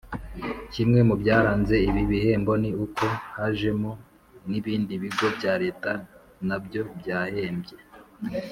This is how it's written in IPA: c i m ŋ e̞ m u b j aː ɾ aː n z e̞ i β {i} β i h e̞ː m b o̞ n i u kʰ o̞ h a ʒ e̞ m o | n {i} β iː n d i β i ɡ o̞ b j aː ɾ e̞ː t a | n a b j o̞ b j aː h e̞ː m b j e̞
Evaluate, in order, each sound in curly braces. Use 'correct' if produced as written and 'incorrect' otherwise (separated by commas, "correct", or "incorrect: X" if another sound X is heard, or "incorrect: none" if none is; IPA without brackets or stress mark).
correct, correct